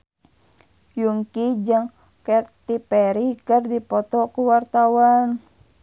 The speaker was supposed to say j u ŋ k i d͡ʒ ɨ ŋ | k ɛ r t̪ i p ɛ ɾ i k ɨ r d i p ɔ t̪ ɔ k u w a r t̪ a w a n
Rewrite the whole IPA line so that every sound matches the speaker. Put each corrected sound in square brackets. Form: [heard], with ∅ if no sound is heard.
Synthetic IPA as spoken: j u ŋ k i d͡ʒ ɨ ŋ | k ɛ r t̪ i p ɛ ɾ i k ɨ r d i p ɔ t̪ ɔ k u w a r t̪ a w a n